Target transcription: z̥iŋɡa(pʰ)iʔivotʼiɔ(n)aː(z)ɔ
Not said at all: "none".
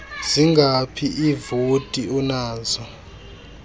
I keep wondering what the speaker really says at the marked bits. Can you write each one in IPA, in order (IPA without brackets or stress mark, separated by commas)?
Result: pʰ, n, z